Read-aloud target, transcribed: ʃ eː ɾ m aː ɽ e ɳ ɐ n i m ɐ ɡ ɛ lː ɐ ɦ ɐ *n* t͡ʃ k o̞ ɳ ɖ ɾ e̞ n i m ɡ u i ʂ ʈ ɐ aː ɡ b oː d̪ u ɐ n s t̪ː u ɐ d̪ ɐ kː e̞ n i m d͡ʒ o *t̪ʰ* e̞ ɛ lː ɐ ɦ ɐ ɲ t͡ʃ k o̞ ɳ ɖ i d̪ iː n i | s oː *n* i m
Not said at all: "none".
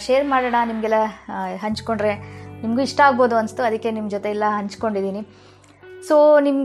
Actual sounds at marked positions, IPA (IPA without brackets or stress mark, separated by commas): ɲ, t̪, n